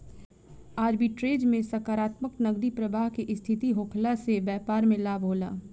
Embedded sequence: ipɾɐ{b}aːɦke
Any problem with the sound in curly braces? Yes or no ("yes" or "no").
no